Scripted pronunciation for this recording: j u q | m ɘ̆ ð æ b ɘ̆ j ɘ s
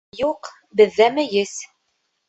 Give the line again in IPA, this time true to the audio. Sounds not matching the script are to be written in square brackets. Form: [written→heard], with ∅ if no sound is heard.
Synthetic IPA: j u q | [m→b] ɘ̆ [ð→ðː] æ [b→m] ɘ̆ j ɘ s